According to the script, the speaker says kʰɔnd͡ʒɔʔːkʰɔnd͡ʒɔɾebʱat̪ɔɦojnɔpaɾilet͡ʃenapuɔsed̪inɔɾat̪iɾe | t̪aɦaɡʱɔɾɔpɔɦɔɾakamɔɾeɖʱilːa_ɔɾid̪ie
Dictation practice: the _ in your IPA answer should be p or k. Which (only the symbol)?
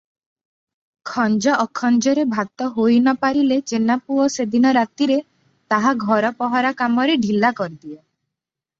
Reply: k